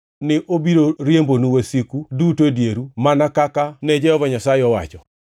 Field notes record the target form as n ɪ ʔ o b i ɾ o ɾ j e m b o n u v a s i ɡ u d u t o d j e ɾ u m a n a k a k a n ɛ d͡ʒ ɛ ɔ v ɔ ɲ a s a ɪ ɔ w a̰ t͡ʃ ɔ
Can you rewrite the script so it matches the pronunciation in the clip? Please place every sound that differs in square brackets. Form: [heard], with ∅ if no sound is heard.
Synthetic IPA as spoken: n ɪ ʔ o b i ɾ o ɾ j e m b o n u [w] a s i [k] u d u t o d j e ɾ u m a n a k a k a n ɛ d͡ʒ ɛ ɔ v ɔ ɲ a s a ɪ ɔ w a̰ t͡ʃ ɔ